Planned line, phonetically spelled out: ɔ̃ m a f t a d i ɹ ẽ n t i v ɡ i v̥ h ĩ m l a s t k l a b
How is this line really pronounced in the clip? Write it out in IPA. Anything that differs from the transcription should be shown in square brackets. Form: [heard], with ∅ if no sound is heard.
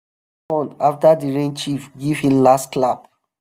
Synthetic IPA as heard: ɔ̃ [n] a f t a d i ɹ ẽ n [t͡ʃ] i [f] ɡ i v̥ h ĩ m l a s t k l a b